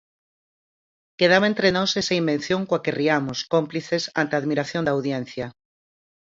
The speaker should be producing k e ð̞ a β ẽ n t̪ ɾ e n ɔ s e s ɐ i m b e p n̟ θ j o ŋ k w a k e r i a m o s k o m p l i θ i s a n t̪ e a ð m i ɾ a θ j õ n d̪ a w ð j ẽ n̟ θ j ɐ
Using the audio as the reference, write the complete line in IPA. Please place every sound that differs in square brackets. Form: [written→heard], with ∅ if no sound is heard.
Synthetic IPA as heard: k e ð̞ a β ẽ n t̪ ɾ e n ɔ s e s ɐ i m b e [p→∅] n̟ θ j o ŋ k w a k e r i a m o s k o m p l i θ [i→e] s a n t̪ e a ð m i ɾ a θ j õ n d̪ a w ð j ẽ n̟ θ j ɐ